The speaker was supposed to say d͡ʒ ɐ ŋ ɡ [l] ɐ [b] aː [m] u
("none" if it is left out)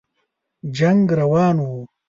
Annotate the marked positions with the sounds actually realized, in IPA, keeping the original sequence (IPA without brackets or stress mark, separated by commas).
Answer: ɾ, w, n